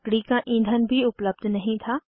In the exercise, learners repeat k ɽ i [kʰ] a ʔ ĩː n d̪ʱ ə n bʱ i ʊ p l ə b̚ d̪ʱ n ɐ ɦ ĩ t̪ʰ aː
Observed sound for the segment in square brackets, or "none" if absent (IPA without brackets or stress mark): k